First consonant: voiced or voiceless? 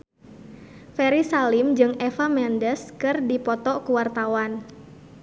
voiceless